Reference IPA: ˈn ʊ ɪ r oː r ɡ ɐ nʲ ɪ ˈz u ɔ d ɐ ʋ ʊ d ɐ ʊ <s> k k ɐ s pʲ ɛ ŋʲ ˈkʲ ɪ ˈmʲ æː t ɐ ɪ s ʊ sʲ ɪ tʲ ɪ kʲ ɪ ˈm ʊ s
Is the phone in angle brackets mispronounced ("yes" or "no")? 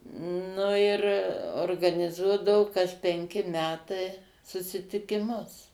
yes